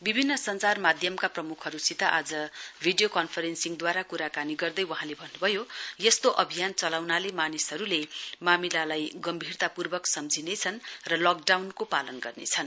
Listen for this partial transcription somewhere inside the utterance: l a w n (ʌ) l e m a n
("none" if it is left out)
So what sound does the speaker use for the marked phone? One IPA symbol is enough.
a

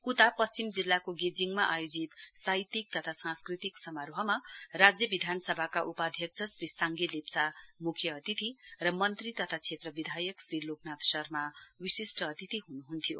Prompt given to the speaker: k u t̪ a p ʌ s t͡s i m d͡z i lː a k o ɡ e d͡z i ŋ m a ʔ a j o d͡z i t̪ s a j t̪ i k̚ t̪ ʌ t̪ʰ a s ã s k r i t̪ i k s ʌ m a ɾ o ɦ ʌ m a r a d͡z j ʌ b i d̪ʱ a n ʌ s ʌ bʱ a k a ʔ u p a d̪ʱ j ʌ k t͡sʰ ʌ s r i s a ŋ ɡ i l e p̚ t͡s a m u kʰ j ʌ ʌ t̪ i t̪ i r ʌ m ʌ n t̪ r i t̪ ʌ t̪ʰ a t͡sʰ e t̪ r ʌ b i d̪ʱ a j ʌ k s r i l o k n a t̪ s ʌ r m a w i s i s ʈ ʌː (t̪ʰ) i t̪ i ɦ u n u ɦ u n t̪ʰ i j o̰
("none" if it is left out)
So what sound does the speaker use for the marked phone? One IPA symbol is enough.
t̪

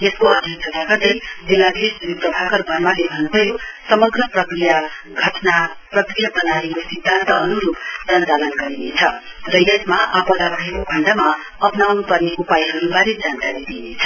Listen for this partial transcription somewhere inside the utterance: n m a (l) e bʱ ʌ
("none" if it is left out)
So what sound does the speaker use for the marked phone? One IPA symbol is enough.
l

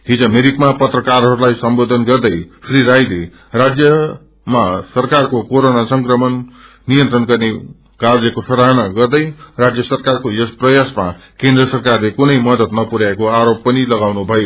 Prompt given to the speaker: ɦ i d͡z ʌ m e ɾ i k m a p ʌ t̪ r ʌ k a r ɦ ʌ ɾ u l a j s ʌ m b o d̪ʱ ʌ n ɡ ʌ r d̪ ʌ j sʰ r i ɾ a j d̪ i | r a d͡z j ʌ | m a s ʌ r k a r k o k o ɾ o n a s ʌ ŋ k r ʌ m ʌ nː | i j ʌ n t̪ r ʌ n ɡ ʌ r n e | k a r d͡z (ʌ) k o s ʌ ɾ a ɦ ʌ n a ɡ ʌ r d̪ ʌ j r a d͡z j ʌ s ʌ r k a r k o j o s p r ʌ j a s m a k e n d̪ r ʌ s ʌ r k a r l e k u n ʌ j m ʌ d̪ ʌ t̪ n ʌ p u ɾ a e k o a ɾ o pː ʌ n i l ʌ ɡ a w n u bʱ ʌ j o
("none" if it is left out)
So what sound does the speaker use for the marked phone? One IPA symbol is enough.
ʌ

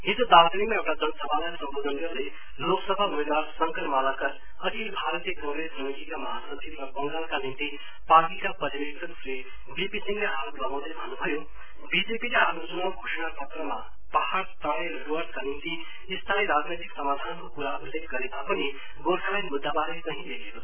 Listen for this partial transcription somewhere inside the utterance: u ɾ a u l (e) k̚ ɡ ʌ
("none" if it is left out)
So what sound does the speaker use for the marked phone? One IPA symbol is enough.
e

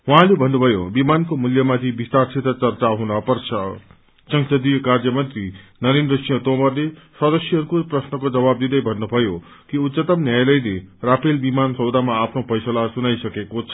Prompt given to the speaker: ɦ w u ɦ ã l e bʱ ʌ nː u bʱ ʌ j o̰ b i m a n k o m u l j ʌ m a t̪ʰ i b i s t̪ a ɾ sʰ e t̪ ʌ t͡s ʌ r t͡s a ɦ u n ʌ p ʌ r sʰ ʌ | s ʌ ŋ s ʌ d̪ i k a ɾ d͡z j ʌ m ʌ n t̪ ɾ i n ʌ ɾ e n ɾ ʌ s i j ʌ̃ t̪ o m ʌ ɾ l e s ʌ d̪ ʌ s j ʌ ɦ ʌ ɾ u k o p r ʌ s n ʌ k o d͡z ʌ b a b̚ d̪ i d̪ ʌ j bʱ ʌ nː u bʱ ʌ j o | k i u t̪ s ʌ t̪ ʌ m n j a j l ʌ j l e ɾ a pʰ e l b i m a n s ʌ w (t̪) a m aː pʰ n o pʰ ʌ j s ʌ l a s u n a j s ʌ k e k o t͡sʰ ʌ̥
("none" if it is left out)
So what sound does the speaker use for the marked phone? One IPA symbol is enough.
d̪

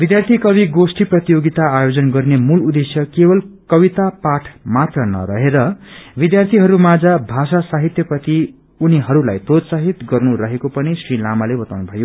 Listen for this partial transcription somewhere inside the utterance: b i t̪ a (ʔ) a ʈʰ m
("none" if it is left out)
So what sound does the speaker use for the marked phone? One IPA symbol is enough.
p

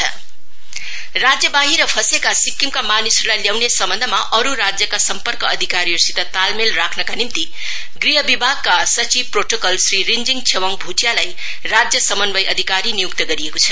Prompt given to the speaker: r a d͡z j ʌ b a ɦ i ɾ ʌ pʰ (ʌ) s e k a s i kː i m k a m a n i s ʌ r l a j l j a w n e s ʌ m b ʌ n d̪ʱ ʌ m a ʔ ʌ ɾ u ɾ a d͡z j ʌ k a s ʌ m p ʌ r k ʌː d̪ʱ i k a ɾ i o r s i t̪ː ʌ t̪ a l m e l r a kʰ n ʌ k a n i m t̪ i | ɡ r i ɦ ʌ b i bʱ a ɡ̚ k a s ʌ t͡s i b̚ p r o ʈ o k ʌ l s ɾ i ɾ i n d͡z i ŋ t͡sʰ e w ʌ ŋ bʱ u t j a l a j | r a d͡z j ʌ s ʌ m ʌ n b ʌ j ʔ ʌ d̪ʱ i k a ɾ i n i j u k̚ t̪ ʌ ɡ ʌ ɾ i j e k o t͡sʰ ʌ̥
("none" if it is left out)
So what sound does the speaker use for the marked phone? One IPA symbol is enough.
ʌ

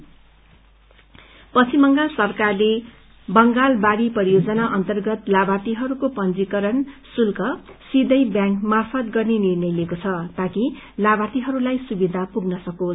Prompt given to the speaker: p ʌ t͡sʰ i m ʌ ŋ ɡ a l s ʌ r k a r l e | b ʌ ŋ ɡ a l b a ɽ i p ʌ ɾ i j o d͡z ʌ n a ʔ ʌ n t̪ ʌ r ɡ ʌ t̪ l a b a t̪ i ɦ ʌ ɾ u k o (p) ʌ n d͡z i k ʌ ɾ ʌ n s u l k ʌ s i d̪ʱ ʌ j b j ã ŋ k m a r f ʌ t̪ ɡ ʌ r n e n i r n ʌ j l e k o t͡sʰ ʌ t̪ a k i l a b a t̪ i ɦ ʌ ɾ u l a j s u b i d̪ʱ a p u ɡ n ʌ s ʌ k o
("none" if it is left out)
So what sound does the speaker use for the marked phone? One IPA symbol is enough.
p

